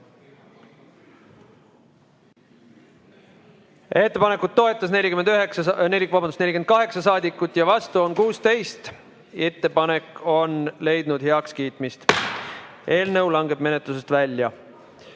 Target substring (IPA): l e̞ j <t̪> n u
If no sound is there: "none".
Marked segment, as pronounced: d̪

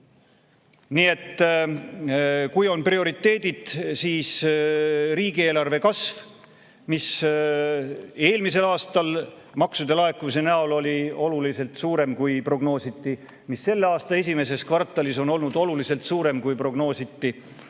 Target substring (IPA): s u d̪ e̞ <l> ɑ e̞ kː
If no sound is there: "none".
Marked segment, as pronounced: l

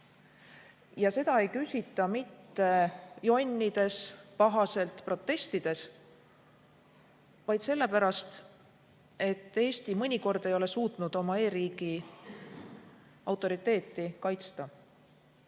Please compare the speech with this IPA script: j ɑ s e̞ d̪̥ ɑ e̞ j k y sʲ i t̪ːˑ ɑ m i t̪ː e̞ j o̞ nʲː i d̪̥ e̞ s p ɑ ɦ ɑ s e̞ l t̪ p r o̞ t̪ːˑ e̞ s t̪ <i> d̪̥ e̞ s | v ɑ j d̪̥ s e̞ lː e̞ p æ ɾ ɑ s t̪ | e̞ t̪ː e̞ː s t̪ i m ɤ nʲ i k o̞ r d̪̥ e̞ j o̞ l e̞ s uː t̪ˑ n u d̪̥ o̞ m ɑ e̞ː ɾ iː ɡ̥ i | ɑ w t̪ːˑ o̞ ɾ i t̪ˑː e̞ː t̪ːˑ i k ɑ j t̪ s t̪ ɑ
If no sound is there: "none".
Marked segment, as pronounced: i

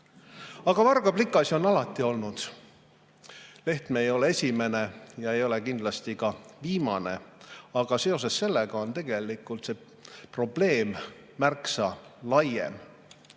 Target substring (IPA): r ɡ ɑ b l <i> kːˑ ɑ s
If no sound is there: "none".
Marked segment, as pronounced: i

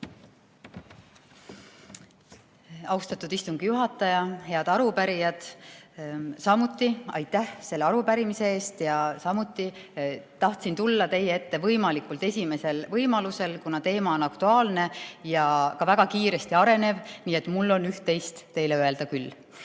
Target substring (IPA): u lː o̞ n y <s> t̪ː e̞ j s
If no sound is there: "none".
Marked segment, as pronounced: h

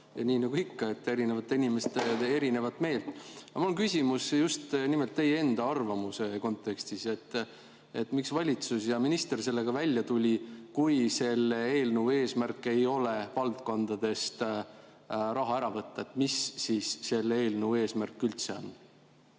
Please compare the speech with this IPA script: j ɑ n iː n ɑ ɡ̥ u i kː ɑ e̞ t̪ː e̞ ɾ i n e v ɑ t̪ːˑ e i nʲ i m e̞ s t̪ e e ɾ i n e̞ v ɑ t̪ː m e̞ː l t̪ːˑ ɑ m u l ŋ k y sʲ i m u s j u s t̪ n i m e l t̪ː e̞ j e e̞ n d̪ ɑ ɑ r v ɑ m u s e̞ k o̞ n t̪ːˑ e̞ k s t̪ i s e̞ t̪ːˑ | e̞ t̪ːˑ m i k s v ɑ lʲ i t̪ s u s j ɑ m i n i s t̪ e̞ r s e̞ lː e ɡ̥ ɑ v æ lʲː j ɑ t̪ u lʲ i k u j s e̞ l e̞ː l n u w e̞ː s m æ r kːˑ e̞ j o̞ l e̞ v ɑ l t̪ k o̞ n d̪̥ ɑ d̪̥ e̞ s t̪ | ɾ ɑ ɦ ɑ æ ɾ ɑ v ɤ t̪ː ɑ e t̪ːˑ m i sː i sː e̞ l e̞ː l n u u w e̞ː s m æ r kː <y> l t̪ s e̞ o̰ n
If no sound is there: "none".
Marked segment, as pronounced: y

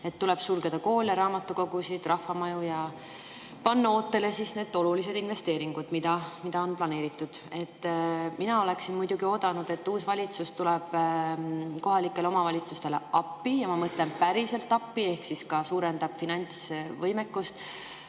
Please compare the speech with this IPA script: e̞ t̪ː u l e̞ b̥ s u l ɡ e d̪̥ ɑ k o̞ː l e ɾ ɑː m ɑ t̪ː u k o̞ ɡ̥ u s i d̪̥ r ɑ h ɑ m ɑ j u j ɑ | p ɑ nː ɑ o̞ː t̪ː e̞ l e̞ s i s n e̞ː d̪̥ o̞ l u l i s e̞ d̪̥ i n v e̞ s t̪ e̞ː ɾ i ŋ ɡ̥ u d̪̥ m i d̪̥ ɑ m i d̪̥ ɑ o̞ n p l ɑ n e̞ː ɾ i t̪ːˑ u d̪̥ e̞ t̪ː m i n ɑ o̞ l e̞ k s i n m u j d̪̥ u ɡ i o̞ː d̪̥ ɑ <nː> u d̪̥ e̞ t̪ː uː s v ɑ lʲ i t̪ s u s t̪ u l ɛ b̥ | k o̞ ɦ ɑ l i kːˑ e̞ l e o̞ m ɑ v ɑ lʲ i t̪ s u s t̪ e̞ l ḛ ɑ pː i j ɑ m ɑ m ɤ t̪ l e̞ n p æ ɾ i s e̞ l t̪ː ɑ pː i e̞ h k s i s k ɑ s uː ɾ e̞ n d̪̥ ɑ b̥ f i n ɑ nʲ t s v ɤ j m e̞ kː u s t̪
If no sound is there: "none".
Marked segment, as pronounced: n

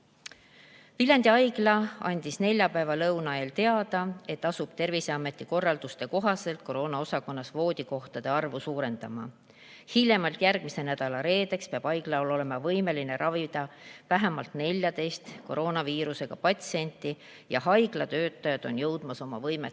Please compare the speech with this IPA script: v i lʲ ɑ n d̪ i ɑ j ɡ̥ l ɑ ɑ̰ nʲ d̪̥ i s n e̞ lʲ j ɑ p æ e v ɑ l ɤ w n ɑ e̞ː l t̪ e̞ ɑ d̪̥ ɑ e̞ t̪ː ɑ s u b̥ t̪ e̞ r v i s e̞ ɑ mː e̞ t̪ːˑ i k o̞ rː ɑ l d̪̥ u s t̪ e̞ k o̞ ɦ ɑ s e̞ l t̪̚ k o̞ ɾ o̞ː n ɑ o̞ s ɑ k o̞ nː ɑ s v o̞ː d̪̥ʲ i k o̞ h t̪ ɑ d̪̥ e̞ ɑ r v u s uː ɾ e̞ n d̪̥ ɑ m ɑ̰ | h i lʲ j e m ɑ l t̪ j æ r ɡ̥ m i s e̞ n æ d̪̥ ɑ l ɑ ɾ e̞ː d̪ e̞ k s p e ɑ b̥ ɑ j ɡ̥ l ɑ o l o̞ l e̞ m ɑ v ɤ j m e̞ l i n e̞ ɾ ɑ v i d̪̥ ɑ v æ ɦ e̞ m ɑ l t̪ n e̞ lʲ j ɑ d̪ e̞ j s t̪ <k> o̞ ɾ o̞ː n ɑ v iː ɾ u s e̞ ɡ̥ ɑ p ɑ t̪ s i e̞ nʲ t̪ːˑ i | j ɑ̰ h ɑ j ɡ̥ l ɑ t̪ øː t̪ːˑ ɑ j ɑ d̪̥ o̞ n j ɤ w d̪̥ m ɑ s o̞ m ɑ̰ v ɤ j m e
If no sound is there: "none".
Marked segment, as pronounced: k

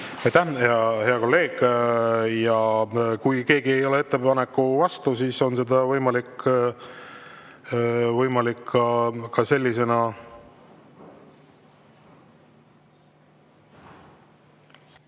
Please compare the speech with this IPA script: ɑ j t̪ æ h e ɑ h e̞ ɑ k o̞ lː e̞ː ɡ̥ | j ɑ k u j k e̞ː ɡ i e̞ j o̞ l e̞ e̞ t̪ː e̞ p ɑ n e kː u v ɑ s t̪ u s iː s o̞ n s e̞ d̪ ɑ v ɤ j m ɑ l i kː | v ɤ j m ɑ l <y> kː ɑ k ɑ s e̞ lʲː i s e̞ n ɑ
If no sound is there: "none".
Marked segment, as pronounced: i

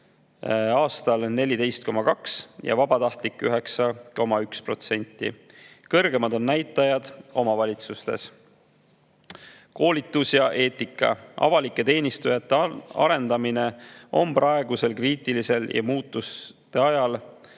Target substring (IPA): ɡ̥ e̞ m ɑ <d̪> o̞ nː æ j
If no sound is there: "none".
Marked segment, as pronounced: d̪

